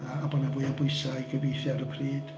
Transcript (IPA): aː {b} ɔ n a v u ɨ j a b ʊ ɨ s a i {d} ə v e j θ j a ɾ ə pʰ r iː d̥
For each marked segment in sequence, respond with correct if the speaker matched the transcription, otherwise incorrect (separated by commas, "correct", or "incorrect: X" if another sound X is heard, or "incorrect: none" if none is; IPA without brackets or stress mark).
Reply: correct, incorrect: ɡ